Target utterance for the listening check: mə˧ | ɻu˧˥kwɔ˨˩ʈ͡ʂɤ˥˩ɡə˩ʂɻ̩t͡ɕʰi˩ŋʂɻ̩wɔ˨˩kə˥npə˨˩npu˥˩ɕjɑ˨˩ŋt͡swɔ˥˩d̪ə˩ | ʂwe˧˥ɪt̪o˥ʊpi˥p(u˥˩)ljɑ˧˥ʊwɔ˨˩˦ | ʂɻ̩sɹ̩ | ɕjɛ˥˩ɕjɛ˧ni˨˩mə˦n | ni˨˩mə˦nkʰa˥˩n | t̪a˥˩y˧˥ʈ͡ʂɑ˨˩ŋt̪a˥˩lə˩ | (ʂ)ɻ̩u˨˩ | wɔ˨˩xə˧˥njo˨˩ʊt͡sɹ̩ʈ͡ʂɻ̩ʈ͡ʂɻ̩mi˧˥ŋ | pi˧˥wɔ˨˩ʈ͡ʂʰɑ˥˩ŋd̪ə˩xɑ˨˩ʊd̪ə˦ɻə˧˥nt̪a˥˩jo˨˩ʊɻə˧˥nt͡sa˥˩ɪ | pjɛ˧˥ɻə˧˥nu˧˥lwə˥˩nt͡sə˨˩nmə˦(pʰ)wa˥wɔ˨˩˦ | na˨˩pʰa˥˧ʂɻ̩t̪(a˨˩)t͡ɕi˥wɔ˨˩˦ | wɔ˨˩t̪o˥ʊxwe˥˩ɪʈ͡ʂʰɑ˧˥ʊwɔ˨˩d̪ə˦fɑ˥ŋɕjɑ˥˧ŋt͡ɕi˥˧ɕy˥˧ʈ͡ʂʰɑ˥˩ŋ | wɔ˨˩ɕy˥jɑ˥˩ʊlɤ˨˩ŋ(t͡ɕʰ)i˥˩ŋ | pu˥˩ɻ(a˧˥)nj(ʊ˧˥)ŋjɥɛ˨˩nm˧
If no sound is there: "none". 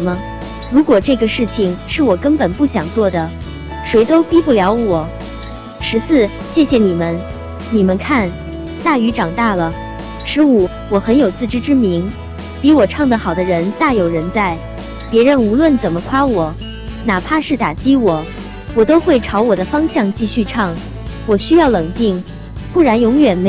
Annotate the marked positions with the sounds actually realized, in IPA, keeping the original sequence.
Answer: u˥˩, ʂ, kʰ, a˨˩, t͡ɕ, a˧˥, ʊ˧˥

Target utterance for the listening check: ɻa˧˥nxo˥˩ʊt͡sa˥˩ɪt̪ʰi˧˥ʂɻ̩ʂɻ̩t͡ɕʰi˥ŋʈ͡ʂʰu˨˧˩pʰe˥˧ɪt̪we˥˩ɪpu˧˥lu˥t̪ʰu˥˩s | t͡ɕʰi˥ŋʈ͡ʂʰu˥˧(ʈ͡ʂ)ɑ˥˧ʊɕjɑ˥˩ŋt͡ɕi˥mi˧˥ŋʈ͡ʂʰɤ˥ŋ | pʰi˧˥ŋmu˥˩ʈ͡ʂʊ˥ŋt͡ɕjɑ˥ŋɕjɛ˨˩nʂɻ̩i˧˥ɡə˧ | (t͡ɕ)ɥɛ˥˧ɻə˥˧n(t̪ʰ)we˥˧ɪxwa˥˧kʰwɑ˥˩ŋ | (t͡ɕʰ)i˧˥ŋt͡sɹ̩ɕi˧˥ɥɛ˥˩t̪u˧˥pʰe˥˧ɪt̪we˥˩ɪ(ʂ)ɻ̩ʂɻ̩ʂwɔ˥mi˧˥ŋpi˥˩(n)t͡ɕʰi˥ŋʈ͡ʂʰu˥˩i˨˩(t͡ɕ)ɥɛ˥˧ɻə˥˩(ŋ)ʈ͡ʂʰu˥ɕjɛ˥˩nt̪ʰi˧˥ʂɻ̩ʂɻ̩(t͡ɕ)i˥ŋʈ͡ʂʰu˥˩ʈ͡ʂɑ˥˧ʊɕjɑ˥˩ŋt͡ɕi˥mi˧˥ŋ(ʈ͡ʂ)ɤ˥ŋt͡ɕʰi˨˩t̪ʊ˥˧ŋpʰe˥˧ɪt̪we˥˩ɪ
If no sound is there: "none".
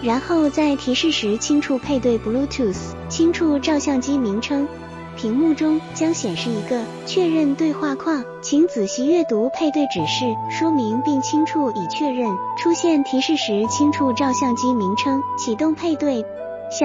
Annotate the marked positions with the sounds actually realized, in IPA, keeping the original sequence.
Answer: ʈ͡ʂ, t͡ɕʰ, t̪, t͡ɕʰ, ʈ͡ʂ, ŋ, t͡ɕʰ, n, t͡ɕʰ, ʈ͡ʂʰ

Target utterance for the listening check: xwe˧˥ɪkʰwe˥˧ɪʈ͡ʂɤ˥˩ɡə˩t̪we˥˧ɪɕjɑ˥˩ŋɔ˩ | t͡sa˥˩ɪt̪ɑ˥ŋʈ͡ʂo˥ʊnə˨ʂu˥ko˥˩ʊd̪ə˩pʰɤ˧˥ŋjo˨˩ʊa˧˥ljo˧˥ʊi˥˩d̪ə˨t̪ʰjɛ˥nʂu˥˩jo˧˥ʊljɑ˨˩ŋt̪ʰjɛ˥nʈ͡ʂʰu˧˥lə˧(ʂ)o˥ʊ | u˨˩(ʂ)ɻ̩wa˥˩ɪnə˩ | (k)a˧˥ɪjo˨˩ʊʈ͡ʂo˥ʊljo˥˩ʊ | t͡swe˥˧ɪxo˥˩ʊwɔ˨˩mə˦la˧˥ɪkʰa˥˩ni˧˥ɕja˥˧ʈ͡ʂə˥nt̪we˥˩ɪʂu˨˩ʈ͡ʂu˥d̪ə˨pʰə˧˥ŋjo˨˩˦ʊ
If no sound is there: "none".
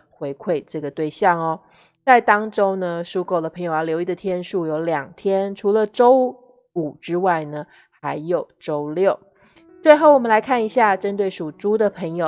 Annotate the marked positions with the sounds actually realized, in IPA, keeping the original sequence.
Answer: ʈ͡ʂ, ʈ͡ʂ, x

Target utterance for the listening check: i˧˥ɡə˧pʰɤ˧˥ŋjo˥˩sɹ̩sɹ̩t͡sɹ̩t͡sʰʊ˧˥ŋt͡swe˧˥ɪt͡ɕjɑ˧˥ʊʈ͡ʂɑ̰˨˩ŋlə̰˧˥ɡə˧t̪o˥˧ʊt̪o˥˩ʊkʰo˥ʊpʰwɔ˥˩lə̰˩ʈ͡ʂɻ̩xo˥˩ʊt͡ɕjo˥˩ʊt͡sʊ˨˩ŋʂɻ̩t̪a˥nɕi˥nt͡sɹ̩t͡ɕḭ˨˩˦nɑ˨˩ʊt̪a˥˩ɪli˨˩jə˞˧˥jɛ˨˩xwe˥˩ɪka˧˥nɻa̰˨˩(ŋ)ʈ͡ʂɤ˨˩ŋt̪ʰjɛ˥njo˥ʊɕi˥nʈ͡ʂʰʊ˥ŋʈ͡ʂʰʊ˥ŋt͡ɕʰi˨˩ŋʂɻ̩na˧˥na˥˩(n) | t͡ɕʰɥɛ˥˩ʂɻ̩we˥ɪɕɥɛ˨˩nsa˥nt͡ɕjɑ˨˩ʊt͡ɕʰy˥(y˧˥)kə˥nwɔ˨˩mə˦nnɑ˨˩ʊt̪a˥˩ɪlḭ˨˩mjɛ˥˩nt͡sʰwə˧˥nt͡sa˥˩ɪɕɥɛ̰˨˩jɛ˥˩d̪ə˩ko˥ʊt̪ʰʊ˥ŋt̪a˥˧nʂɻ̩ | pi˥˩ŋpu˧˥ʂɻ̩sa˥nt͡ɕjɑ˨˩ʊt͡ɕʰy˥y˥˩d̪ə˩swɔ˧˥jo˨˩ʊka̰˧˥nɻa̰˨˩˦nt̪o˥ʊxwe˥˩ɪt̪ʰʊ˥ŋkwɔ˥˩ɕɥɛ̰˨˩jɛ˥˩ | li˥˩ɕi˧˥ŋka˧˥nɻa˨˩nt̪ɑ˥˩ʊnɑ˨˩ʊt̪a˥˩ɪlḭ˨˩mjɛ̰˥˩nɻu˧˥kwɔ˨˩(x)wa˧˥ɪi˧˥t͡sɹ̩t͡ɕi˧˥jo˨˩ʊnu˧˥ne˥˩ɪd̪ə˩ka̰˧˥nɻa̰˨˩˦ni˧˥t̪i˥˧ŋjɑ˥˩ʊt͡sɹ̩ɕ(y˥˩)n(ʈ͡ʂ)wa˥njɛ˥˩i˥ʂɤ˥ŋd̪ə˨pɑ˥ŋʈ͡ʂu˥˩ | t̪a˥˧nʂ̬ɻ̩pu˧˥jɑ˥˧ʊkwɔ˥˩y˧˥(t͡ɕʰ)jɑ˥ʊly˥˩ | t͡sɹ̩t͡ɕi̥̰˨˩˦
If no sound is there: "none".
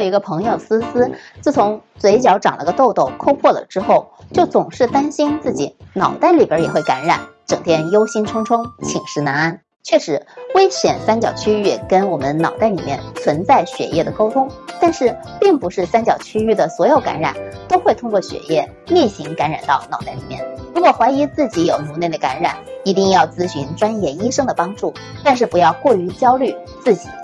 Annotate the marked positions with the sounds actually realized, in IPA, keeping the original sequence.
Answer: n, n, y˥˩, x, y˧˥, ʈ͡ʂ, t͡ɕ

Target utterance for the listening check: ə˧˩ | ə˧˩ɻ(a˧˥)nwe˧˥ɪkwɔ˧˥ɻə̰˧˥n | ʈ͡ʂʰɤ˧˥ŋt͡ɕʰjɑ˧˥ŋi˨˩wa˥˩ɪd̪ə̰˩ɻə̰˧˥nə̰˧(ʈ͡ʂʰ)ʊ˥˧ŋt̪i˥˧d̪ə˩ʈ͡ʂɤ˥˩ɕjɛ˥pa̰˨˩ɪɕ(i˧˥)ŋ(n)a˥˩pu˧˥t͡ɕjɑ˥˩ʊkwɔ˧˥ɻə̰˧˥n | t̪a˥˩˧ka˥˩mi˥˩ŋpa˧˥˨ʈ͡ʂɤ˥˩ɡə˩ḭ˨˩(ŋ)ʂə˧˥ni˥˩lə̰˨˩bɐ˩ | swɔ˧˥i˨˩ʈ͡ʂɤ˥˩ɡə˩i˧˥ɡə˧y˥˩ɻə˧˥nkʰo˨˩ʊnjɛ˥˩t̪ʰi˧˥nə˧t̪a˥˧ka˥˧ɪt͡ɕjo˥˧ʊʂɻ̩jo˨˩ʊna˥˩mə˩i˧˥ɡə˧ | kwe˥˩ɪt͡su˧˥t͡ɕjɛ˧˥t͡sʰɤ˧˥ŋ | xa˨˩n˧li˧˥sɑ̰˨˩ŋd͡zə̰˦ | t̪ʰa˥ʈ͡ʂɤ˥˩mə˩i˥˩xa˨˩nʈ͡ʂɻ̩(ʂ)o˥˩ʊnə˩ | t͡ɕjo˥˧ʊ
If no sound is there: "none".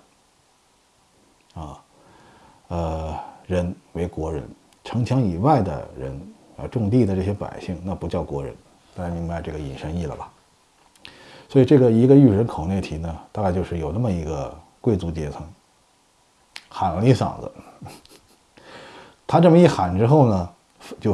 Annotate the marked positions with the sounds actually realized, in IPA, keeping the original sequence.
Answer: ə˧˥, ʈ͡ʂ, i˥˩, n, n, x

